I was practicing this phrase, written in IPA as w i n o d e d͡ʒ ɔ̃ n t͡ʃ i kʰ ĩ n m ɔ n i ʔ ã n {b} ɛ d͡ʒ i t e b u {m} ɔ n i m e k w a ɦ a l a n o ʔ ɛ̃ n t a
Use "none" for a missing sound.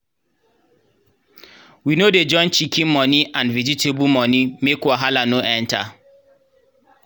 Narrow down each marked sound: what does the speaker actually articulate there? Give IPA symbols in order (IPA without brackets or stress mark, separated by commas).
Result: v, m